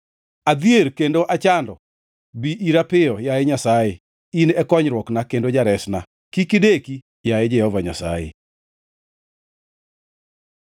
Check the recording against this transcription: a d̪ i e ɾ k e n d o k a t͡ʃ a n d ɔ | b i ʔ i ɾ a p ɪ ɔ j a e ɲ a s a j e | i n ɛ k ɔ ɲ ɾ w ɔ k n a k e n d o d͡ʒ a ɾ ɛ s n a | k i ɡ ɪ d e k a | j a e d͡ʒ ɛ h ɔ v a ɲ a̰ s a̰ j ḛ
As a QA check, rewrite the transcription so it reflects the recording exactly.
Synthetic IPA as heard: a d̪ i e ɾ k e n d o ʔ a t͡ʃ a n d ɔ | b i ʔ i ɾ a p ɪ ɔ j a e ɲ a s a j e | i n ɛ k ɔ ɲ ɾ w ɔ k n a k e n d o d͡ʒ a ɾ ɛ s n a | k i k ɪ d e k i | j a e d͡ʒ ɛ h ɔ v a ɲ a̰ s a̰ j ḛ